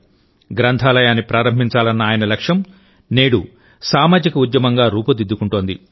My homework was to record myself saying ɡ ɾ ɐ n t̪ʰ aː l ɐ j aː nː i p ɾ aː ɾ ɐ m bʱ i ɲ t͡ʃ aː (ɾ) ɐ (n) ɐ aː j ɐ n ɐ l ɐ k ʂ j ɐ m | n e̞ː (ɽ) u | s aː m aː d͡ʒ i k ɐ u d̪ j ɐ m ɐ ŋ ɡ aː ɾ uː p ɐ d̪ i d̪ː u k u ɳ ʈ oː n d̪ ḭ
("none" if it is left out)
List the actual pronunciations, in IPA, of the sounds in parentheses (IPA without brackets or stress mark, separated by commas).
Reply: l, nː, ɽ